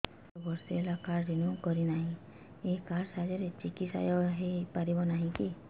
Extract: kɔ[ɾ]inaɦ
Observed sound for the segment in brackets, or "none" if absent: ɾ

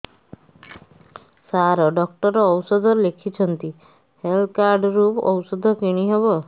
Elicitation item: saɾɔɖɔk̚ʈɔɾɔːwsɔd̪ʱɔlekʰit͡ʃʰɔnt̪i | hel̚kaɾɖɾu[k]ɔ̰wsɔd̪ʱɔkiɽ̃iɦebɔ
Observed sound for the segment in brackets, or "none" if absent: p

